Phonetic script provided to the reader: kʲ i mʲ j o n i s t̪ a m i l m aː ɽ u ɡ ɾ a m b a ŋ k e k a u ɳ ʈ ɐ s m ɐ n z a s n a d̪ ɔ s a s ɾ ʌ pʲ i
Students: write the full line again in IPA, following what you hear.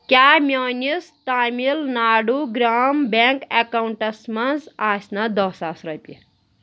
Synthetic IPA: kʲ a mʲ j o n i s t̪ a m i l n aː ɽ u ɡ ɾ a m b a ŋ k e k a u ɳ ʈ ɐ s m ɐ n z a s n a d̪ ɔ s a s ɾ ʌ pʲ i